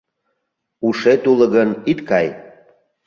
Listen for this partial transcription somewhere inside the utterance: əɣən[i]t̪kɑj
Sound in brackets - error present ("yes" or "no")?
no